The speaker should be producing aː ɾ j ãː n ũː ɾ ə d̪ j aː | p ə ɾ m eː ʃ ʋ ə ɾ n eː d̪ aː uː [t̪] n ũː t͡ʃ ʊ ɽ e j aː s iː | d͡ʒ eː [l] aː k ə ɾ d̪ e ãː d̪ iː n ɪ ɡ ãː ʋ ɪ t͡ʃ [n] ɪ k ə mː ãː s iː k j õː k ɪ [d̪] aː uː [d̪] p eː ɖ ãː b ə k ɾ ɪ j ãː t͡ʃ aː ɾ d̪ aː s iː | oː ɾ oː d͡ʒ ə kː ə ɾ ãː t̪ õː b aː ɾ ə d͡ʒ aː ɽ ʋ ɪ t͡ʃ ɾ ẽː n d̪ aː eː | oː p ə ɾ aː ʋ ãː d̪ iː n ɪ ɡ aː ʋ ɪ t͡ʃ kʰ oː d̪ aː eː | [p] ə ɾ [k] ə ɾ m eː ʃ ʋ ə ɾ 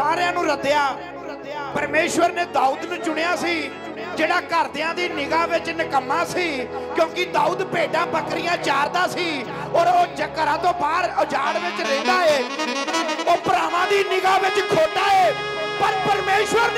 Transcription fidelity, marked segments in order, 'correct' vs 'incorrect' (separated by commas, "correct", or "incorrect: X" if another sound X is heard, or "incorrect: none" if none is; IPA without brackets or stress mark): incorrect: d̪, incorrect: ɽ, correct, correct, correct, correct, incorrect: p